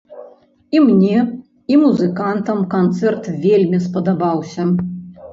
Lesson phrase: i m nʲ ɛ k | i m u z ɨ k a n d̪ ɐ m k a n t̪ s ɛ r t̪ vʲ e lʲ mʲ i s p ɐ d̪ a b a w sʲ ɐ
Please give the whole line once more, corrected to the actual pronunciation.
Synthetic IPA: i m nʲ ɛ | i m u z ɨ k a n t̪ ɐ m k a n t̪ s ɛ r t̪ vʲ e lʲ mʲ i s p ɐ d̪ a b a w sʲ ɐ